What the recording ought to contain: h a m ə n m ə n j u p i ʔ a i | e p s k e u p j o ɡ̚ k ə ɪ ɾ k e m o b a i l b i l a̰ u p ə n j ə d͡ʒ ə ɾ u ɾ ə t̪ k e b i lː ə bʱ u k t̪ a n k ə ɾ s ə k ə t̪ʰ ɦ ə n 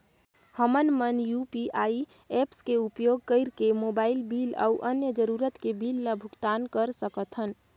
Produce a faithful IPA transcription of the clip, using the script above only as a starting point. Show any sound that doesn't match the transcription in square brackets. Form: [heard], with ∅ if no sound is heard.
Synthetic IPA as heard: h [ə] m ə n m ə n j u p i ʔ a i | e p s k e u p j o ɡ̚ k ə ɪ ɾ k e m o b a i l b i l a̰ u [ʔ] ə n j ə d͡ʒ ə ɾ u ɾ ə t̪ k e b i lː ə bʱ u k t̪ a n k ə ɾ s ə k ə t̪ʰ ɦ ə n